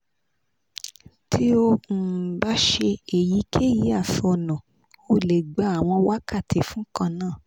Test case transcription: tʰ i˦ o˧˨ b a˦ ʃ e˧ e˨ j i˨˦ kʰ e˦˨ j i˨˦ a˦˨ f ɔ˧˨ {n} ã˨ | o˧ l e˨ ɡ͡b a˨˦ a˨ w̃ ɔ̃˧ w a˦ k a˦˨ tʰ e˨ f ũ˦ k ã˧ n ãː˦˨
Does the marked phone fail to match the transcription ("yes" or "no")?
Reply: no